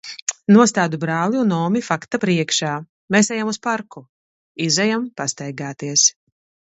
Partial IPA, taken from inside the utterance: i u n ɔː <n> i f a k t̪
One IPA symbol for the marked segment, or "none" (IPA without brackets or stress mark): m